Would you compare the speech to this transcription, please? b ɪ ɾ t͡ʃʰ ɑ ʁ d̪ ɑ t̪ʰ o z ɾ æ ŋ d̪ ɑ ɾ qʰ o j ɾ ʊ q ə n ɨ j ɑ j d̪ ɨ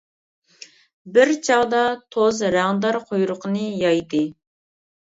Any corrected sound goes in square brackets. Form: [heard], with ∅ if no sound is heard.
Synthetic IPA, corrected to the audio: b ɪ ɾ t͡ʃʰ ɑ ʁ d̪ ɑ t̪ʰ o z ɾ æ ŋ d̪ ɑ ɾ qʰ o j ɾ ʊ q ə n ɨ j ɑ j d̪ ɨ